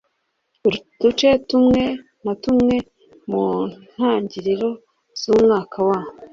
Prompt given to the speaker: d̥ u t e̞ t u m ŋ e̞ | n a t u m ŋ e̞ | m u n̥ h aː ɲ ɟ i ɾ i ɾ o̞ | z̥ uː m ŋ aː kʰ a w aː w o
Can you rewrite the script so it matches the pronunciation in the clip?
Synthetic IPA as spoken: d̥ u t͡ʃ e̞ t u m ŋ e̞ | n a t u m ŋ e̞ | m u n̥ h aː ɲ ɟ i ɾ i ɾ o̞ | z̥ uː m ŋ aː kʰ a w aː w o